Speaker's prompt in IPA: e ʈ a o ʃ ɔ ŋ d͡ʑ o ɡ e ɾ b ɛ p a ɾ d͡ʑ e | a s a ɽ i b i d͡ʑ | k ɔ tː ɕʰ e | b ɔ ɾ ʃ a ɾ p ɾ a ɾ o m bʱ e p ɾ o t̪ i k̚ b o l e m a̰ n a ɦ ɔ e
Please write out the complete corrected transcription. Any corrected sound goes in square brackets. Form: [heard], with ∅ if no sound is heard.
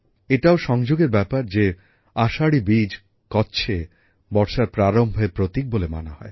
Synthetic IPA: e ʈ a o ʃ ɔ ŋ d͡ʑ o ɡ e ɾ b ɛ p a ɾ d͡ʑ e | a [ʃ] a ɽ i b i d͡ʑ | k ɔ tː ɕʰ e | b ɔ ɾ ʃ a ɾ p ɾ a ɾ o m bʱ e p ɾ o t̪ i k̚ b o l e m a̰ n a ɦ ɔ e

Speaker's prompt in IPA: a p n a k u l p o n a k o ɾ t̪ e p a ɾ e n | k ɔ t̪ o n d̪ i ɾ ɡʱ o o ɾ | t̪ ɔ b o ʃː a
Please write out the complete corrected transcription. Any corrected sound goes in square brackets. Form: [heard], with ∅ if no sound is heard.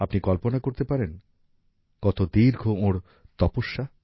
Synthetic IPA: a p n [i] k [ɔ] l p o n a k o ɾ t̪ e p a ɾ e n | k ɔ t̪ o [∅] d̪ i ɾ ɡʱ o o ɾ | t̪ ɔ [p] o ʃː a

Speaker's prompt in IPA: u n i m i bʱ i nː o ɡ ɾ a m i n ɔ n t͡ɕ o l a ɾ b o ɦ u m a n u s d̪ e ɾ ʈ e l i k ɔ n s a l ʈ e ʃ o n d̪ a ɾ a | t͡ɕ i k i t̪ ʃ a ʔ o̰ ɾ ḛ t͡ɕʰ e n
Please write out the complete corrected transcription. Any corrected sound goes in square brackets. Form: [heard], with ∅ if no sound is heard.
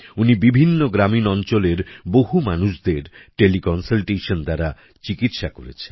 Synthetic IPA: u n i [b] i bʱ i nː o ɡ ɾ a m i n ɔ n t͡ɕ o l [e] ɾ b o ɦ u m a n u [ʃ] d̪ e ɾ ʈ e l i k ɔ n s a l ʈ e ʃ o n d̪ a ɾ a | t͡ɕ i k i t̪ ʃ a [k] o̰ ɾ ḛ t͡ɕʰ e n

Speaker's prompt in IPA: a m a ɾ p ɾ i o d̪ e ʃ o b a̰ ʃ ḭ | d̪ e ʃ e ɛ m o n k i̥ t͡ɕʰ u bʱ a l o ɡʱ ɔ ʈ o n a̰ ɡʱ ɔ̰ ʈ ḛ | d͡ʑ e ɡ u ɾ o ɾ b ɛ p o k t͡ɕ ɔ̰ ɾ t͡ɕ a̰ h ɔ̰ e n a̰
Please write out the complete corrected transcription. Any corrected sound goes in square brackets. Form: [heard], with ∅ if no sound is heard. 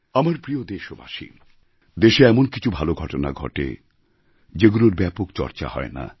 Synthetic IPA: a m a ɾ p ɾ i o d̪ e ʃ o b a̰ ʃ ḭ | d̪ e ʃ e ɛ m o n k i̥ t͡ɕʰ u bʱ a l o ɡʱ ɔ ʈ o n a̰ ɡʱ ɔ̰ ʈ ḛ | d͡ʑ e ɡ u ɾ o ɾ b ɛ p o k t͡ɕ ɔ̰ ɾ t͡ɕ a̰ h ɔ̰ e n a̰

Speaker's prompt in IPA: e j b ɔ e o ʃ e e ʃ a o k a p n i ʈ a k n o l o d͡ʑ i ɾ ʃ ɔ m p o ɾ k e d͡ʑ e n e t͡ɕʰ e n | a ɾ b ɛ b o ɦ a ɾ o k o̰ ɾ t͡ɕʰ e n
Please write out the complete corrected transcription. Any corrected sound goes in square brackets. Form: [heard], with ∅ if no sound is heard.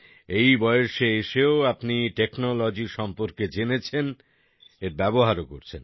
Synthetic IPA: e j b ɔ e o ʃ e e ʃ [e] o [∅] a p n i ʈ [e] k n o l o d͡ʑ i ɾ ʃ ɔ m p o ɾ k e d͡ʑ e n e t͡ɕʰ e n | [e] ɾ b ɛ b o ɦ a ɾ o k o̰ ɾ t͡ɕʰ e n

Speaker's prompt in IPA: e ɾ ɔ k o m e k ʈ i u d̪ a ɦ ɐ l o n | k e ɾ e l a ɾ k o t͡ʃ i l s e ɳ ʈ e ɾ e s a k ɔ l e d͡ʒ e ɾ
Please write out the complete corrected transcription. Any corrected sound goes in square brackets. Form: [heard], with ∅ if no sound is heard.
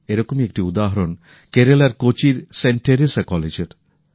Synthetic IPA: e ɾ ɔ k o m e k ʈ i u d̪ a ɦ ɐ [ɾ] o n | k e ɾ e l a ɾ k o t͡ʃ i [ɾ] s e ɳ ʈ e ɾ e s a k ɔ l e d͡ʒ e ɾ

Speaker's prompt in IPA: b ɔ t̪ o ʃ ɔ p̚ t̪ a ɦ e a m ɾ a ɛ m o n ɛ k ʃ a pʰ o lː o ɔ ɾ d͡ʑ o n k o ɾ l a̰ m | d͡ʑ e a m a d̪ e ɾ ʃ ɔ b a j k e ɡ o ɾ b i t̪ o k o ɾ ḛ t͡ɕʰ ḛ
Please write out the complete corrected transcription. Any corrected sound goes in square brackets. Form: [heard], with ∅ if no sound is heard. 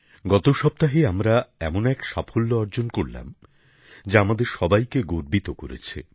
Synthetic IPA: [ɡ] ɔ t̪ o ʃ ɔ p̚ t̪ a ɦ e a m ɾ a ɛ m o n ɛ k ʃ a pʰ o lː o ɔ ɾ d͡ʑ o n k o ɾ l a̰ m | d͡ʑ [a] a m a d̪ e ɾ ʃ ɔ b a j k e ɡ o ɾ b i t̪ o k o ɾ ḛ t͡ɕʰ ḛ

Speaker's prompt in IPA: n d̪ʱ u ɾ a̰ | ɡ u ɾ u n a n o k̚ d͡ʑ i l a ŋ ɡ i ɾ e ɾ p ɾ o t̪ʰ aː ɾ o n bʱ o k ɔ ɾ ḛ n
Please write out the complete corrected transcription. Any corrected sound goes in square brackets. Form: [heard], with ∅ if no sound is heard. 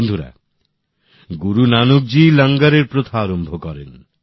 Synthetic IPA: n d̪ʱ u ɾ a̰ | ɡ u ɾ u n a n o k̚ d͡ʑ i l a ŋ ɡ [a] ɾ e ɾ p ɾ o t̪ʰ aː ɾ o [m] bʱ o k ɔ ɾ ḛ n

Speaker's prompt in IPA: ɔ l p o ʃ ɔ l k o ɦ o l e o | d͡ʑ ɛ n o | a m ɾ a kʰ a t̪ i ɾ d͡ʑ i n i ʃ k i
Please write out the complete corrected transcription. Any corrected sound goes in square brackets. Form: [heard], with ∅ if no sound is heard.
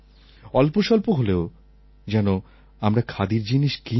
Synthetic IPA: ɔ l p o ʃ ɔ l [p] o ɦ o l e o | d͡ʑ ɛ n o | a m ɾ a kʰ a [d̪] i ɾ d͡ʑ i n i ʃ k i

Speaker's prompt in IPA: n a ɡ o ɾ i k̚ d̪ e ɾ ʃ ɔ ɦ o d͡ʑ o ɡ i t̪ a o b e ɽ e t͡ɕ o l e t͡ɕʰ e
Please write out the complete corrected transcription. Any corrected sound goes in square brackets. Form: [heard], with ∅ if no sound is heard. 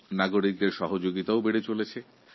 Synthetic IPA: n a ɡ o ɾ i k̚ d̪ e ɾ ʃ ɔ ɦ o d͡ʑ o ɡ i t̪ a o b e ɽ e t͡ɕ o l e t͡ɕʰ e

